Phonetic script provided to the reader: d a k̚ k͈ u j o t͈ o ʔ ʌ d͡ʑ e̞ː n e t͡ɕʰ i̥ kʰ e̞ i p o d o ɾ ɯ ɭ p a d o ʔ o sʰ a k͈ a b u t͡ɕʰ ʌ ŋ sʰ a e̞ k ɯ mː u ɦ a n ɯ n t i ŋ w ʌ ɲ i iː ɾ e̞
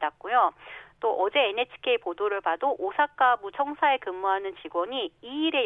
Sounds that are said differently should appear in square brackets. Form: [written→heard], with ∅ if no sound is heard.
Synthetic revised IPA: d a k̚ k͈ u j o t͈ o ʔ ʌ d͡ʑ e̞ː n e t͡ɕʰ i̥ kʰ e̞ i p o d o ɾ ɯ ɭ p a d o ʔ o sʰ a k͈ a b u t͡ɕʰ ʌ ŋ sʰ a e̞ k ɯ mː u ɦ a n ɯ n [t→t͡ɕ] i [ŋ→ɡ] w ʌ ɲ i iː ɾ e̞